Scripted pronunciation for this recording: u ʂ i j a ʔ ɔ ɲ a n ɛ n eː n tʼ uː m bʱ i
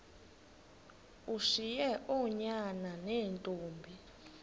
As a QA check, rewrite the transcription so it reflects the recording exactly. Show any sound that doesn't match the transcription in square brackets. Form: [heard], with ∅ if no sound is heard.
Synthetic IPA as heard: u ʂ i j [ɛ] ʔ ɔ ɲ a n [a] n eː n tʼ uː m bʱ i